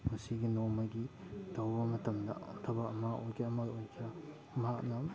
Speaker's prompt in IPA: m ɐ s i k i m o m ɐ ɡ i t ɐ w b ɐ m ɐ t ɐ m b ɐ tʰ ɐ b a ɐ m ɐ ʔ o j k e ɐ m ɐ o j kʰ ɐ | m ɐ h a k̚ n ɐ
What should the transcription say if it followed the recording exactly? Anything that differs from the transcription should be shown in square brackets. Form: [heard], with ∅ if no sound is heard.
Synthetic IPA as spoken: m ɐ s i [ɡ] i [n] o m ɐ ɡ i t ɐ w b ɐ m ɐ t ɐ m [d] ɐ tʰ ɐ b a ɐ m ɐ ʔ o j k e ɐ m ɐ o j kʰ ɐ | m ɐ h a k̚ n ɐ